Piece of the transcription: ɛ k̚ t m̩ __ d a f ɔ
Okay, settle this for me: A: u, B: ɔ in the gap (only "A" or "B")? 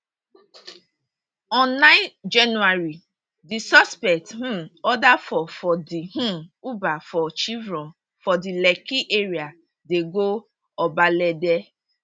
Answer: B